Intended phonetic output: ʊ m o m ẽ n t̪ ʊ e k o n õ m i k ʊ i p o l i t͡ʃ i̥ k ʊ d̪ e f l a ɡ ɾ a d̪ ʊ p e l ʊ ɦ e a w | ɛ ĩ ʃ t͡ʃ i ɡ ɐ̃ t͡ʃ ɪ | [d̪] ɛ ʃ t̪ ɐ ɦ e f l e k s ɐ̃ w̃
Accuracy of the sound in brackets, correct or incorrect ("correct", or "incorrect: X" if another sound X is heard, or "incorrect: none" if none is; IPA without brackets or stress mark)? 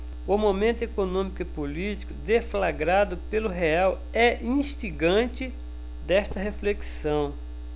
correct